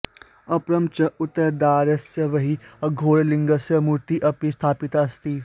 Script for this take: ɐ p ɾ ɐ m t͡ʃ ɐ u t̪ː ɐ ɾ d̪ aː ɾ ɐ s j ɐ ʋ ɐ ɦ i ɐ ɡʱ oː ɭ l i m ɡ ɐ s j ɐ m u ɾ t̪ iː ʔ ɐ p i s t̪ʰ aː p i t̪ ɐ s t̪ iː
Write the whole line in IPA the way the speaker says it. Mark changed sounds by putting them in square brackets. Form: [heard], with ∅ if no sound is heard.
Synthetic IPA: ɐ p ɾ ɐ m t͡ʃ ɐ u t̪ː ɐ ɾ d̪ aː ɾ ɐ s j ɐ ʋ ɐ ɦ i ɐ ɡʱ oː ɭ l i [ŋ] ɡ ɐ s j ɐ m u ɾ t̪ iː ʔ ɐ p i s t̪ʰ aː p i t̪ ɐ s t̪ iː